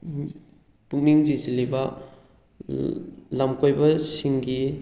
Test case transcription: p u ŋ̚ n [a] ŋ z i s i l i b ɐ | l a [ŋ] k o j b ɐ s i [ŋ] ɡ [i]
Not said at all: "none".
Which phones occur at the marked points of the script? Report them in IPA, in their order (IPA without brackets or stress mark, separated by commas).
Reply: i, m, ŋ, i